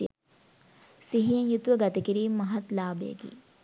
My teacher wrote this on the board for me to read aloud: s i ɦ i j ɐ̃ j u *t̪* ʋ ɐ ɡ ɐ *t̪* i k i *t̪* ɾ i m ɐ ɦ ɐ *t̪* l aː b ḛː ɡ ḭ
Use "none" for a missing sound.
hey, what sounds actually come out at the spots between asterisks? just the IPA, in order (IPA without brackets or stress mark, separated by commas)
t̪, t̪, none, t̪